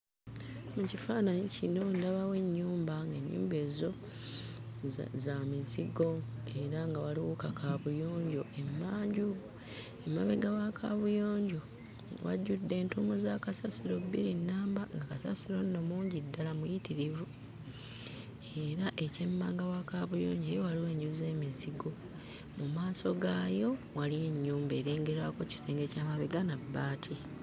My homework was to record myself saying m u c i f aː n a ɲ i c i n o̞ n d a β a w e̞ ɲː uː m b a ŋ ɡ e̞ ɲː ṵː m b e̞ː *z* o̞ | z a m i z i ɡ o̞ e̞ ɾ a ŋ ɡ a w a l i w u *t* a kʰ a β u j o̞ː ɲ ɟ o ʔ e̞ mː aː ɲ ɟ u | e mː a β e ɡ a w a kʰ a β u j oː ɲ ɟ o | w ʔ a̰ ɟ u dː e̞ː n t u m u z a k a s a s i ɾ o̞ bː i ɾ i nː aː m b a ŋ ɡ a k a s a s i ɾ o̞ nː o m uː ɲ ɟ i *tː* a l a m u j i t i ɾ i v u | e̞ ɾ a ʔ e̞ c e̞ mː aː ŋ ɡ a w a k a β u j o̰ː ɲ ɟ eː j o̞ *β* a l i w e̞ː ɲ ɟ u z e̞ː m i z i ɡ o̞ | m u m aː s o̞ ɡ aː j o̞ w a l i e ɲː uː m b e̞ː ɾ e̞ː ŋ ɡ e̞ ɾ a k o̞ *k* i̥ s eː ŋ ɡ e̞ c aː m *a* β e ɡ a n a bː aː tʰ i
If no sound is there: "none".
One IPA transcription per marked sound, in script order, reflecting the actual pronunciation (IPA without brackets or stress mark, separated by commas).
z, k, dː, w, c, a